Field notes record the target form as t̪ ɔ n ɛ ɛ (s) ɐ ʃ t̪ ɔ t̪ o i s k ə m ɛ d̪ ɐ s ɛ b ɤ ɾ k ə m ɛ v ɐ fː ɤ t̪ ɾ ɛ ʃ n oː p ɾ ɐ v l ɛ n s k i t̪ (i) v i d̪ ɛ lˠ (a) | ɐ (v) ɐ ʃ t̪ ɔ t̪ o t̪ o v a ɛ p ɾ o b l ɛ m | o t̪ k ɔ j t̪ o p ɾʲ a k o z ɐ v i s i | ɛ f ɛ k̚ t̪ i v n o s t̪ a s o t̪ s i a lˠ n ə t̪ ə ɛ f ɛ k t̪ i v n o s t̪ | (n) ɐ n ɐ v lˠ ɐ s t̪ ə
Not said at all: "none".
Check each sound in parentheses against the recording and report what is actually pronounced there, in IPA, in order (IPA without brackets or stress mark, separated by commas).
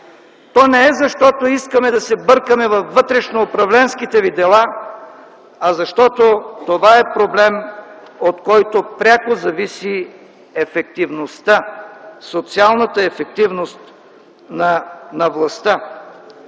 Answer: z, ɛ, a, z, n